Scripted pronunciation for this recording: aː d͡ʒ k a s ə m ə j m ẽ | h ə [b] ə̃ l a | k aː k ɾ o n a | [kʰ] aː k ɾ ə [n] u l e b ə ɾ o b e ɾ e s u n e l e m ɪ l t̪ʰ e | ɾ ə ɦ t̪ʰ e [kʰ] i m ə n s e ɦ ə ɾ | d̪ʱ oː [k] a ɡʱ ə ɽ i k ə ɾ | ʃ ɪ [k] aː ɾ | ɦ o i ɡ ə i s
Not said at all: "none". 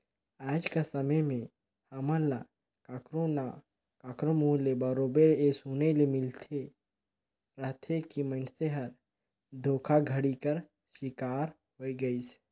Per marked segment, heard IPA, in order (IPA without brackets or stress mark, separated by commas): m, k, m, k, kʰ, k